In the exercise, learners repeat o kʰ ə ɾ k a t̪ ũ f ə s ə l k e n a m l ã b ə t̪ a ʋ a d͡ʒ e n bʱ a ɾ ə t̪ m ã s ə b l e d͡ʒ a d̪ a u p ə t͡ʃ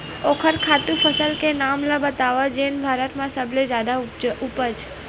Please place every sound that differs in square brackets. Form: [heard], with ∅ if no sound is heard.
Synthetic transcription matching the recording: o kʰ ə ɾ [kʰ] a t̪ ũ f ə s ə l k e n a m l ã b ə t̪ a ʋ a d͡ʒ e n bʱ a ɾ ə t̪ m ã s ə b l e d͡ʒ a d̪ a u p ə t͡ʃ

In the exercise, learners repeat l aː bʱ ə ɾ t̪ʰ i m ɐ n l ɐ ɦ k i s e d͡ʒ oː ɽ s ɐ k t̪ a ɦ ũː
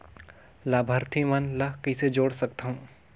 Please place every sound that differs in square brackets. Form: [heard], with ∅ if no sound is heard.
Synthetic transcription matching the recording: l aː bʱ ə ɾ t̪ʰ i m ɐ n l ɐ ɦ k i s e d͡ʒ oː ɽ s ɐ k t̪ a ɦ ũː

